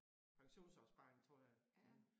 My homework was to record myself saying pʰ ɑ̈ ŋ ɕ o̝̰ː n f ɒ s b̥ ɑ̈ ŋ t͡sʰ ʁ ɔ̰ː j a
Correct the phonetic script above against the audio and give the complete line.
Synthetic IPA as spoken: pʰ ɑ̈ ŋ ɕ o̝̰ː n s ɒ s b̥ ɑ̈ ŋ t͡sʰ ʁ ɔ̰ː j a